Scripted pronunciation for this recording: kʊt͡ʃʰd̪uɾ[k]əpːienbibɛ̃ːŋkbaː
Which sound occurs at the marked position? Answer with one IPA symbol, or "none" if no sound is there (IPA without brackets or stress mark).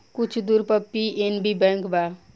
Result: p